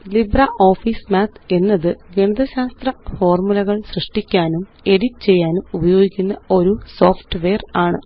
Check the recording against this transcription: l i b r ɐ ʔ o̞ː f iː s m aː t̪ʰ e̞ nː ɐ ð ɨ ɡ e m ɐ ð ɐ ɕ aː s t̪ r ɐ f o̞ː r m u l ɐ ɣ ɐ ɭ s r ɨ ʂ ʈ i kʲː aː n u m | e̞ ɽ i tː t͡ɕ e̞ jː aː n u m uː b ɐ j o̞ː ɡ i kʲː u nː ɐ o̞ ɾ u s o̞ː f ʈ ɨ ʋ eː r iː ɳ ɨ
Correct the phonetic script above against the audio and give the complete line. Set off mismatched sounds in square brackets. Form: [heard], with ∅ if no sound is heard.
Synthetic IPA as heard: l i b r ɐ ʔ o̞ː f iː s m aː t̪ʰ e̞ nː ɐ ð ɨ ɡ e [ɳ] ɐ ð ɐ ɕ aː s t̪ r ɐ f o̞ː r m u l ɐ ɣ ɐ ɭ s r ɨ ʂ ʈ i kʲː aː n u m | e̞ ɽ i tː t͡ɕ e̞ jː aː n u m [u] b ɐ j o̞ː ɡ i kʲː u nː ɐ o̞ ɾ u s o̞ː f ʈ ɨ ʋ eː r [aː] ɳ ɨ

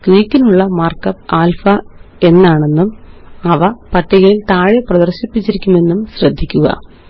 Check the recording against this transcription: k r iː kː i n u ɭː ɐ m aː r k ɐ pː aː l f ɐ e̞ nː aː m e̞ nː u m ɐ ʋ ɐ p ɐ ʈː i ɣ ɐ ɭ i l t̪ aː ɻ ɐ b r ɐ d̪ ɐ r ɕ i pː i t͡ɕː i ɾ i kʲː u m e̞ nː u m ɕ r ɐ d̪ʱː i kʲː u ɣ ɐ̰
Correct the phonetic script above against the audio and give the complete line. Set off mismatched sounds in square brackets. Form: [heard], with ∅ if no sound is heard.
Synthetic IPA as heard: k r iː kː i n u ɭː ɐ m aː r k ɐ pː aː l f ɐ e̞ nː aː [ɳ] e̞ nː u m ɐ ʋ ɐ p ɐ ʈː i ɣ ɐ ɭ i l t̪ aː ɻ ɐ [p] r ɐ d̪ ɐ r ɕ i pː i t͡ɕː i ɾ i kʲː u m e̞ nː u m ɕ r ɐ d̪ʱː i kʲː u ɣ ɐ̰

